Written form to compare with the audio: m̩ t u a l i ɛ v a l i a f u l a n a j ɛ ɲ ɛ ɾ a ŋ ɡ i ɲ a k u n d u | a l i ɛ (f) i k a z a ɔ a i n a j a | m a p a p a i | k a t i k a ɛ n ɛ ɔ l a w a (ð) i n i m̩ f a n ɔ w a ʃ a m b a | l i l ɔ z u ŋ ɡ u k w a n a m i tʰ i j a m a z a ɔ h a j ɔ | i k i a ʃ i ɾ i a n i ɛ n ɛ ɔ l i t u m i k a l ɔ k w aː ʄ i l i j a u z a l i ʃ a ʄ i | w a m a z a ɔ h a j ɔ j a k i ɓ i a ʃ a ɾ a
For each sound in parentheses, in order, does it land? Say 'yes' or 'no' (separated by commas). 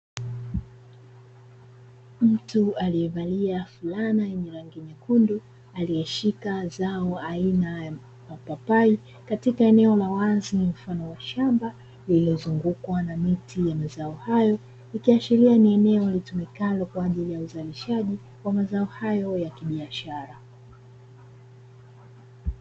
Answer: no, no